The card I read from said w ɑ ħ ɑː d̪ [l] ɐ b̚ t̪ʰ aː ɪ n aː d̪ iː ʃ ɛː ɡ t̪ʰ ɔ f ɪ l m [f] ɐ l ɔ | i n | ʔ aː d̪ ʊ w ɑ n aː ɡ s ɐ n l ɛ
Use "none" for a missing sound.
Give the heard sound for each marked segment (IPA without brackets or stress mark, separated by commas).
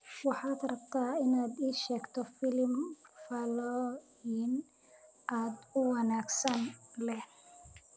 r, f